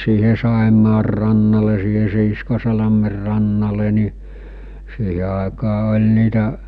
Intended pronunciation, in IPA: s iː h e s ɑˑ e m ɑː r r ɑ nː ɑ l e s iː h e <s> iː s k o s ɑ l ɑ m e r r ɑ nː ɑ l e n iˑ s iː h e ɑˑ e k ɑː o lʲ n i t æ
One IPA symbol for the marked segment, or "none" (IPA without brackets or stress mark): s